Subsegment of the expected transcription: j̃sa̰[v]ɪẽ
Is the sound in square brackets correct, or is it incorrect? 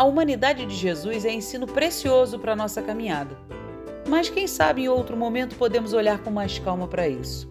incorrect